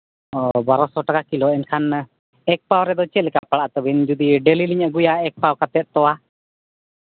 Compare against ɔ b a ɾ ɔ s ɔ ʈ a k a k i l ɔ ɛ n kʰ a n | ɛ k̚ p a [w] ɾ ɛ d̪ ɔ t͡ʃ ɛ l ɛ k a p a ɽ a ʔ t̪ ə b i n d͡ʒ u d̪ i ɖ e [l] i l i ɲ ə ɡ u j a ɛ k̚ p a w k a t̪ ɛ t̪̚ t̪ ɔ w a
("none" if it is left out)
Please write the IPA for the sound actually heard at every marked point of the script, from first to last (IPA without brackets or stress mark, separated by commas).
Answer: w, l